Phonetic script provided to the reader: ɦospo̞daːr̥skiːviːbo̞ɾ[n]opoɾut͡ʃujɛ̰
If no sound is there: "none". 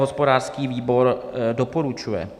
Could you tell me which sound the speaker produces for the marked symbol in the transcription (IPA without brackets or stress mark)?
d